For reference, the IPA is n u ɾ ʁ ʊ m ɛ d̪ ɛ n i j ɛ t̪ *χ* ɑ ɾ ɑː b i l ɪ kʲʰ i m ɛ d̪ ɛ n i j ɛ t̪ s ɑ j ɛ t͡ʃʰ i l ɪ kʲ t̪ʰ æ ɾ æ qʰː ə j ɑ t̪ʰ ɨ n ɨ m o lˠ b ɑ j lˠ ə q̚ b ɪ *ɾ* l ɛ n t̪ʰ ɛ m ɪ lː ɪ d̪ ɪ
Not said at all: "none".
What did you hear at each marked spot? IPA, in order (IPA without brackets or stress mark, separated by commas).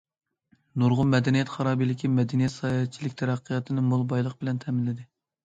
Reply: χ, none